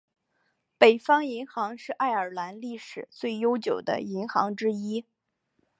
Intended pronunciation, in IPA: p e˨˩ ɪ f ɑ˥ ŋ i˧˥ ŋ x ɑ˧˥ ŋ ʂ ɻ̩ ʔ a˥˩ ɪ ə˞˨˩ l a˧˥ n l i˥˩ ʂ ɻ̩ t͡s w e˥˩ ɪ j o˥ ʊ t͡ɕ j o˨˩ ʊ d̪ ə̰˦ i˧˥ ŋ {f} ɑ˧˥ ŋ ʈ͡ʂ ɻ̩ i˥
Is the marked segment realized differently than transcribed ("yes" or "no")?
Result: yes